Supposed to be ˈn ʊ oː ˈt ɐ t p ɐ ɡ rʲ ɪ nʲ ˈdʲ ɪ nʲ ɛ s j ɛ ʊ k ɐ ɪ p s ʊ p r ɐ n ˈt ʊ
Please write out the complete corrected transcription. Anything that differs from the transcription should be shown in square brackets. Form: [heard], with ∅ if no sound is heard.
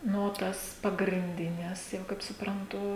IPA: ˈn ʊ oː ˈt ɐ [s] p ɐ ɡ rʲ ɪ nʲ ˈdʲ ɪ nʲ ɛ s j ɛ ʊ k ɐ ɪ p s ʊ p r ɐ n ˈt ʊ

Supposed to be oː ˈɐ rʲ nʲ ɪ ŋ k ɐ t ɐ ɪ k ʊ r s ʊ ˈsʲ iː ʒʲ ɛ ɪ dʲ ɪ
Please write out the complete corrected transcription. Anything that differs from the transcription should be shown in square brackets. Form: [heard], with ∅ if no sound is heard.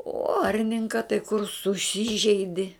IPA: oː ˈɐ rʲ nʲ ɪ ŋ k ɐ t ɐ ɪ k ʊ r s ʊ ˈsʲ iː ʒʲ ɛ ɪ dʲ ɪ

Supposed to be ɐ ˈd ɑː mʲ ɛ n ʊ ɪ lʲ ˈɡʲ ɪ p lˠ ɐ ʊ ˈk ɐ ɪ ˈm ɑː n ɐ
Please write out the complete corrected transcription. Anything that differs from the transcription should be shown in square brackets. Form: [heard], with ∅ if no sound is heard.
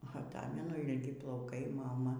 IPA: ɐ [ˈt] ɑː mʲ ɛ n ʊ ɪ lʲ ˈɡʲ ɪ p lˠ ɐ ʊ ˈk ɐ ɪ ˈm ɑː [m] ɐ

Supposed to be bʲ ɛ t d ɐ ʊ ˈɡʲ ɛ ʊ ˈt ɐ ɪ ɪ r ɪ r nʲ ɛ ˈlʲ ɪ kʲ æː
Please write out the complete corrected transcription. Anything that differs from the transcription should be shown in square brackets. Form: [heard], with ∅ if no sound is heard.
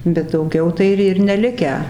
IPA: bʲ ɛ t d ɐ ʊ ˈɡʲ ɛ ʊ ˈt ɐ ɪ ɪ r ɪ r nʲ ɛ ˈlʲ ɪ kʲ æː

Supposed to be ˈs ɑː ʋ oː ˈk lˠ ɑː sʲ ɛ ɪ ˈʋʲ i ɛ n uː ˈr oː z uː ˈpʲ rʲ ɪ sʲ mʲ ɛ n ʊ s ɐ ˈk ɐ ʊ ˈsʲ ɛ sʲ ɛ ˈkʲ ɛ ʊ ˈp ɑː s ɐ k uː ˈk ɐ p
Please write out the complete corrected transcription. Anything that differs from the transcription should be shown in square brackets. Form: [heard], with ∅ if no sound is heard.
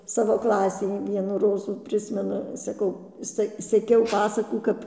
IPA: ˈs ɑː ʋ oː ˈk lˠ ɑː sʲ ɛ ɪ ˈʋʲ i ɛ n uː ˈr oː z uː ˈpʲ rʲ ɪ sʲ mʲ ɛ n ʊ s ɐ ˈk ɐ ʊ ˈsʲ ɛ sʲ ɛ ˈkʲ ɛ ʊ ˈp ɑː s ɐ k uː ˈk ɐ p

